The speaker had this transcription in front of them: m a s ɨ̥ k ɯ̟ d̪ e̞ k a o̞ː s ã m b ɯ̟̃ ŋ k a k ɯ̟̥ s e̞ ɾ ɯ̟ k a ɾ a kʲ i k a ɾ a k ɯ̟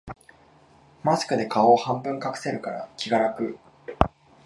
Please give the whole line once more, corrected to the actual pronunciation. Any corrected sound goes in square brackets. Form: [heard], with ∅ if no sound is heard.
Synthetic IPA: m a s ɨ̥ k ɯ̟ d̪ e̞ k a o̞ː [h] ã m b ɯ̟̃ ŋ k a k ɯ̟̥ s e̞ ɾ ɯ̟ k a ɾ a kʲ i [ɡ] a ɾ a k ɯ̟